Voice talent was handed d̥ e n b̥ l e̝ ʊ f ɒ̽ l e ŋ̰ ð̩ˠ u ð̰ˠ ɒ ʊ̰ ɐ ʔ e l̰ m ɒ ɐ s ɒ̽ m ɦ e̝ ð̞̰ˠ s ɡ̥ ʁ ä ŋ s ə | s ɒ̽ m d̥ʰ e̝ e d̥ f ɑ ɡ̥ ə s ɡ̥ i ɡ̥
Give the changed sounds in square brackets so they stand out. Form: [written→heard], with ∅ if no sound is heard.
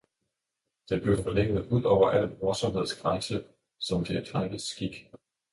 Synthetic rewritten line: d̥ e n b̥ l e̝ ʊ f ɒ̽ l e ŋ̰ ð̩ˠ u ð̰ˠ ɒ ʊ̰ ɐ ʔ [e→æ] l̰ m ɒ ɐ s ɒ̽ m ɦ e̝ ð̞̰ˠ s ɡ̥ ʁ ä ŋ s ə | s ɒ̽ m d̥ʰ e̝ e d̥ f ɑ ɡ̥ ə s ɡ̥ i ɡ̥